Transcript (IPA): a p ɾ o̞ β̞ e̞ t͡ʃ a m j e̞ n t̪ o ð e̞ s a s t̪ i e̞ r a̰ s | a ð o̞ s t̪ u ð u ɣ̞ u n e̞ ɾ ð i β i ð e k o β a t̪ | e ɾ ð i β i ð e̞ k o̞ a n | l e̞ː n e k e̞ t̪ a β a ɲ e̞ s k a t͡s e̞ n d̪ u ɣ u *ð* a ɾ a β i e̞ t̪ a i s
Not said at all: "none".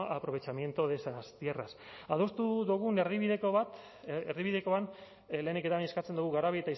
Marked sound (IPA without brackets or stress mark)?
ɣ